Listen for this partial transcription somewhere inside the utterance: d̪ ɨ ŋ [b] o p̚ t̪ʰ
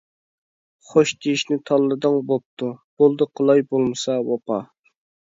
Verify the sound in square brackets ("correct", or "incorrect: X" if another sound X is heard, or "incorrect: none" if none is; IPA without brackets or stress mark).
correct